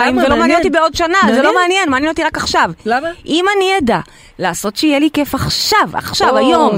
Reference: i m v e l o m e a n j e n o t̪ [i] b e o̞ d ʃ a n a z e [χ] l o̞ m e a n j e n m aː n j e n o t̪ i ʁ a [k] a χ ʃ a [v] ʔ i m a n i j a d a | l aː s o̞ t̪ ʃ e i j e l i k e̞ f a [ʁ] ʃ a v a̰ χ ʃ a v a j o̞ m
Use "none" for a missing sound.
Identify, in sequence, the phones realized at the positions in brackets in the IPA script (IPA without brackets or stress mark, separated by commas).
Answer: i, none, k, v, χ